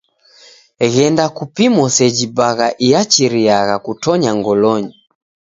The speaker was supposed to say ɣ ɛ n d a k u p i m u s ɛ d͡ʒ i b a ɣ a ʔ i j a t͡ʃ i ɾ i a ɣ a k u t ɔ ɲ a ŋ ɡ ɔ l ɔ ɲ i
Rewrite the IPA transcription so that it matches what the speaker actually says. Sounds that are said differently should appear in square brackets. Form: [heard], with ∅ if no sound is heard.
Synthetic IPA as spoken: ɣ ɛ n d a k u p i m [ɔ] s ɛ d͡ʒ i b a ɣ a ʔ i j a t͡ʃ i ɾ i a ɣ a k u t ɔ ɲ a ŋ ɡ ɔ l ɔ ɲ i